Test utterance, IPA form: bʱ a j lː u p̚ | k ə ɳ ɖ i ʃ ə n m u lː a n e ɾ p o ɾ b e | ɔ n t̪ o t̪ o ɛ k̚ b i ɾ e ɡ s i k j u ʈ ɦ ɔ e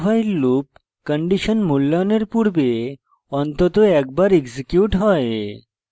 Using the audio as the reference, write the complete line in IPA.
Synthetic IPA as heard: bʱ a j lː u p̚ | k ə ɳ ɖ i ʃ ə n m u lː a n e ɾ p u ɾ b e | ɔ n t̪ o t̪ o ɛ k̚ b a ɾ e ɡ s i k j u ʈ ɦ ɔ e

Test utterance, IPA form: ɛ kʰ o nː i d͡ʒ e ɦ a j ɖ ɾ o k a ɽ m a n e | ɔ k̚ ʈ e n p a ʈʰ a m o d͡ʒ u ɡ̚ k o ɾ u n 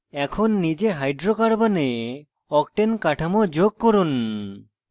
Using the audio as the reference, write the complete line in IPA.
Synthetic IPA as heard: ɛ kʰ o nː i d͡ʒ e ɦ a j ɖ ɾ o k a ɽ b a n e | ɔ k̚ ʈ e n k a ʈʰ a m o d͡ʒ o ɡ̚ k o ɾ u n

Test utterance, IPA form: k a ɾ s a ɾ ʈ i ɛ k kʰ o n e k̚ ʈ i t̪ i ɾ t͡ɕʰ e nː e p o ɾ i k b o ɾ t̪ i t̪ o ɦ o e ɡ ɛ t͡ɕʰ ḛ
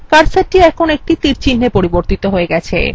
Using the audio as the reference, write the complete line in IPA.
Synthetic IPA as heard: k a ɾ s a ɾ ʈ i ɛ k kʰ o n e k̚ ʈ i t̪ i ɾ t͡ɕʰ i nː e p o ɾ i b o ɾ t̪ i t̪ o ɦ o e ɡ ɛ t͡ɕʰ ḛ

